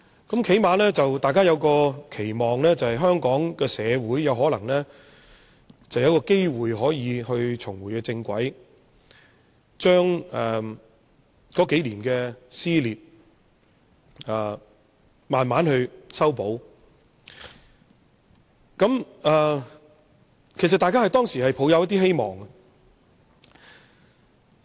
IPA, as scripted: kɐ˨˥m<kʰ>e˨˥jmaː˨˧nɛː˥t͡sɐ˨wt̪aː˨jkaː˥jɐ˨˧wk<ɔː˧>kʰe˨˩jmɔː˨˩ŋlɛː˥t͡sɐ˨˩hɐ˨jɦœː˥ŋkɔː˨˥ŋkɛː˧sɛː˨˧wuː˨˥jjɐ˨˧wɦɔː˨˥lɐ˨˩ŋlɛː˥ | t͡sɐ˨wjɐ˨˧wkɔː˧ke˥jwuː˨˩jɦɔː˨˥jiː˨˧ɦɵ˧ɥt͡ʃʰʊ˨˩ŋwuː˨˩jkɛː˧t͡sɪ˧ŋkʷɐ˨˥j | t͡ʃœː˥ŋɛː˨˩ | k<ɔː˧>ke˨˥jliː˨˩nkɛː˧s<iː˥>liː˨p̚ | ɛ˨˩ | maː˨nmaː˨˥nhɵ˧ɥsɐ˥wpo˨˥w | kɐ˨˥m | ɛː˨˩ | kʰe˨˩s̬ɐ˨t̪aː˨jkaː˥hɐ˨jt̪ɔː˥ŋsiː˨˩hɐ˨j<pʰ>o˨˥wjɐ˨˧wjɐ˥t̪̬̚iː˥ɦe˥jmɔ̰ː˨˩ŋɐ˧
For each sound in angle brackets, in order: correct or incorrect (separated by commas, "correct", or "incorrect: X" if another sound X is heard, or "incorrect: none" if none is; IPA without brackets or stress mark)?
correct, correct, incorrect: ɔː˨˥, correct, correct